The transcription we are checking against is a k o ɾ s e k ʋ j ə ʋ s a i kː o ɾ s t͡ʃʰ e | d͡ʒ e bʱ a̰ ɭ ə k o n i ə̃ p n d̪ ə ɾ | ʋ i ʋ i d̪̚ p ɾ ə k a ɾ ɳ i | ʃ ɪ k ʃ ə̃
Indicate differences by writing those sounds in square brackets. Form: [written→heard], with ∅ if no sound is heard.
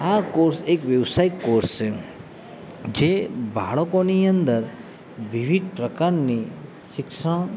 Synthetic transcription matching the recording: a k o ɾ s e k ʋ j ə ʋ s a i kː o ɾ s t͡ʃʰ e | d͡ʒ e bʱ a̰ ɭ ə k o n i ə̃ [p→∅] n d̪ ə ɾ | ʋ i ʋ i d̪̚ p ɾ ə k a ɾ [ɳ→n] i | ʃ ɪ k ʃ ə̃